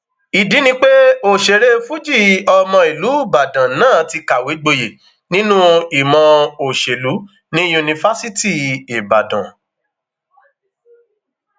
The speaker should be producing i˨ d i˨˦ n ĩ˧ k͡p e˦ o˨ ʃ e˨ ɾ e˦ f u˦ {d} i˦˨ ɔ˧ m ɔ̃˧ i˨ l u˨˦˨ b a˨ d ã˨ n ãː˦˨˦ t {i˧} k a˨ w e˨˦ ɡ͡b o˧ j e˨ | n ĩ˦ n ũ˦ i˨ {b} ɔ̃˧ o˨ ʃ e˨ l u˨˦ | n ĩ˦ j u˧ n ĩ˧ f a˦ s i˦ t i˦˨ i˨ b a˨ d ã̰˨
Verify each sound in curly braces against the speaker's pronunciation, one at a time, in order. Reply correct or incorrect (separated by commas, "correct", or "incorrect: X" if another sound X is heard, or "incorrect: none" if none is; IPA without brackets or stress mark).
incorrect: d͡ʒ, correct, incorrect: m